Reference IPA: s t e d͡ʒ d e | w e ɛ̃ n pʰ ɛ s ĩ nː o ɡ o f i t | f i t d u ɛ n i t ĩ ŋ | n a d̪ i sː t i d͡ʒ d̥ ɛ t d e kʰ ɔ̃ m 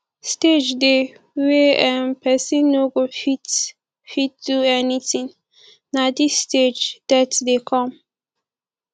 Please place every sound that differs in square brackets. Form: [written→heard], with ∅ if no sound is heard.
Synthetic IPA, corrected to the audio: s t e d͡ʒ d e | w e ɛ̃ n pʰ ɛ s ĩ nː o ɡ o f i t | f i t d u ɛ n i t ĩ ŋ | n a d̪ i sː t [i→e] d͡ʒ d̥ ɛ t d e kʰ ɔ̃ m